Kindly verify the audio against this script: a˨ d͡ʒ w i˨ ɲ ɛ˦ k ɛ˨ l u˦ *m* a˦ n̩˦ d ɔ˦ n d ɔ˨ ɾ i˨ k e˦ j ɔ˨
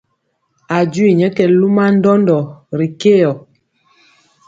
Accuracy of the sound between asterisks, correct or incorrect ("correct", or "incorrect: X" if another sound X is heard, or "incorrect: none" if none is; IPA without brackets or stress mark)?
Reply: correct